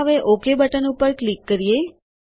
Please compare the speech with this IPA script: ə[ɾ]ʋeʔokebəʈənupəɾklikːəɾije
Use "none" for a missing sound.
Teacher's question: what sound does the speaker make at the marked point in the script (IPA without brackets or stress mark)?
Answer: none